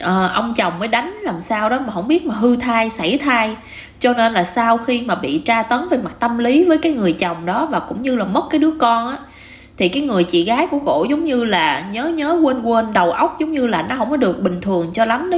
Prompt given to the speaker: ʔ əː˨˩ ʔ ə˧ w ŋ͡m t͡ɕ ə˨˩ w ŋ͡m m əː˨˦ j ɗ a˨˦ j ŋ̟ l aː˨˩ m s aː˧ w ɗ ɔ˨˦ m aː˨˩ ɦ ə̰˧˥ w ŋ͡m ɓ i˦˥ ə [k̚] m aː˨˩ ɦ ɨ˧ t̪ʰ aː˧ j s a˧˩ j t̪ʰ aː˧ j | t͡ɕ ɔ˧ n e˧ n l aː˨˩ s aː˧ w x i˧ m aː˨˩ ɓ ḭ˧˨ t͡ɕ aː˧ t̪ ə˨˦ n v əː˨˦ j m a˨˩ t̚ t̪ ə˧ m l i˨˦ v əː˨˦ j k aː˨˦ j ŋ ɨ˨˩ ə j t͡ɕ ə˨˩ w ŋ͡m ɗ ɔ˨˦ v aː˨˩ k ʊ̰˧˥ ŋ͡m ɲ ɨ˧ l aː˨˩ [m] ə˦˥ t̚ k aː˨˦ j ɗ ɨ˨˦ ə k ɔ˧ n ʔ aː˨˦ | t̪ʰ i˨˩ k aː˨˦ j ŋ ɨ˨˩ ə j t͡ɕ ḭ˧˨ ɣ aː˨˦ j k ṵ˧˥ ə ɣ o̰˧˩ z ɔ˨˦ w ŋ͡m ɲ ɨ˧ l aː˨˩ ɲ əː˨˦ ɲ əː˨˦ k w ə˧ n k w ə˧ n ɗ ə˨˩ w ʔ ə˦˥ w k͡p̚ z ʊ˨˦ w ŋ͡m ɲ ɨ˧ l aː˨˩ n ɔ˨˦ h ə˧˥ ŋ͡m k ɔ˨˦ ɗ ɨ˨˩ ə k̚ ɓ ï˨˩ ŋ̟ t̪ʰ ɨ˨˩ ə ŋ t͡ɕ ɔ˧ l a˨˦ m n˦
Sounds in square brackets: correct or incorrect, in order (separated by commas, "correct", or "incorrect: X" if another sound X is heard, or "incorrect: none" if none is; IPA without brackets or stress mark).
incorrect: t̚, correct